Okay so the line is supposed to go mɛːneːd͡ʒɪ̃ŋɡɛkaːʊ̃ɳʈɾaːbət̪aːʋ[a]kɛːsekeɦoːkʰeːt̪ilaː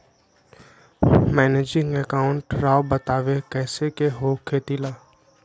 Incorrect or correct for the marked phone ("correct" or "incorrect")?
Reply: incorrect